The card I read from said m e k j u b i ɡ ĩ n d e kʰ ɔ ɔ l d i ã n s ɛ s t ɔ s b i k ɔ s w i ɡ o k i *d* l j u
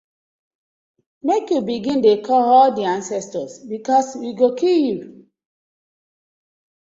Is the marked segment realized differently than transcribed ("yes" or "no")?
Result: yes